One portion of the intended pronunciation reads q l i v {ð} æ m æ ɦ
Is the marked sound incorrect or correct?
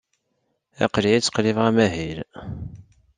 incorrect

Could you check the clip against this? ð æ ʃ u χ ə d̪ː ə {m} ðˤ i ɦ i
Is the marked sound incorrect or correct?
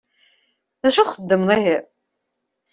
correct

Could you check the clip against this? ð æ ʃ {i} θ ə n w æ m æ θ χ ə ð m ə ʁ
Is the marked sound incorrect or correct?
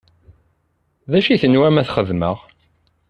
correct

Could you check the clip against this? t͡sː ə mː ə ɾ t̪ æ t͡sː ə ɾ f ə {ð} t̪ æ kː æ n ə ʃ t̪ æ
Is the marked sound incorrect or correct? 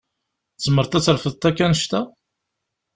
correct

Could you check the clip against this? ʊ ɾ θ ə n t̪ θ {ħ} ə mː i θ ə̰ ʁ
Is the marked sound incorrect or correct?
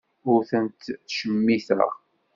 incorrect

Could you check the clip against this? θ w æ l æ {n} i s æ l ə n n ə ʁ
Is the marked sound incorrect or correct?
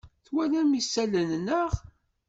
incorrect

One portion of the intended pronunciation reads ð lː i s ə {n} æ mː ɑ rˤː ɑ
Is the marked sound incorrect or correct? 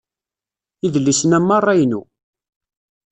correct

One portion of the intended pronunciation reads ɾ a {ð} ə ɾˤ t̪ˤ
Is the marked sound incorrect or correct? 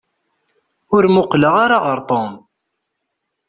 incorrect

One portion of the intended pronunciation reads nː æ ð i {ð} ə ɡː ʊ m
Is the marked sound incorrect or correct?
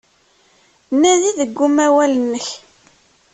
correct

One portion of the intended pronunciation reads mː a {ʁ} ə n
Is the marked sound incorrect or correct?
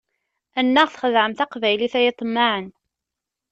incorrect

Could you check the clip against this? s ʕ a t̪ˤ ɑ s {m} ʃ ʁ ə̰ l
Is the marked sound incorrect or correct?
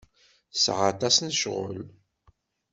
incorrect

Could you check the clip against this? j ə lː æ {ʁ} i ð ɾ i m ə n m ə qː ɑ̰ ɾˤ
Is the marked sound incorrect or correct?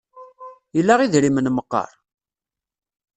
correct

